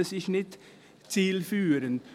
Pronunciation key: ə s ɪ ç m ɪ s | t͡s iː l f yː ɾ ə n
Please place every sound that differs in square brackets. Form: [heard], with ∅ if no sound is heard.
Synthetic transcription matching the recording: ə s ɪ ç [n] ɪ [t] | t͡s iː l f yː ɾ ə n